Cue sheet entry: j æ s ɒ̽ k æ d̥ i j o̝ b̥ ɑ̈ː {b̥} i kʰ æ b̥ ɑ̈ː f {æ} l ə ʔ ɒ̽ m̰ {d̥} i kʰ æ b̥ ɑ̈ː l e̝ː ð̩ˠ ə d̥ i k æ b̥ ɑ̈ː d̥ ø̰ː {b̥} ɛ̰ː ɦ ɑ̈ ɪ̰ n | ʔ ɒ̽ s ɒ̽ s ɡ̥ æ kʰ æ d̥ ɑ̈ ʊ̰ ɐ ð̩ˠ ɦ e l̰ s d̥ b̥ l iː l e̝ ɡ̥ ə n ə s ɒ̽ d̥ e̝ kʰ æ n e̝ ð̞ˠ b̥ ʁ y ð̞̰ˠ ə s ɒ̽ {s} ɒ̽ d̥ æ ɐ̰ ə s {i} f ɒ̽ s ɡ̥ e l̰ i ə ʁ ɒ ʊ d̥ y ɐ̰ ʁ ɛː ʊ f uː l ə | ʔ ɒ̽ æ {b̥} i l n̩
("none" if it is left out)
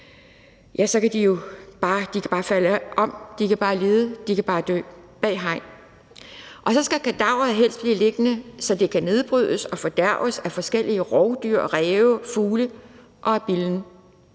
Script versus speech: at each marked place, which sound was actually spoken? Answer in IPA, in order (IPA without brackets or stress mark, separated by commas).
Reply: d̥, æ, d̥, b̥, f, æ, b̥